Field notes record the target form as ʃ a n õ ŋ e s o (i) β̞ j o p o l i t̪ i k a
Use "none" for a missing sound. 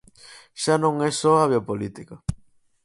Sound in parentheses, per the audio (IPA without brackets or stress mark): a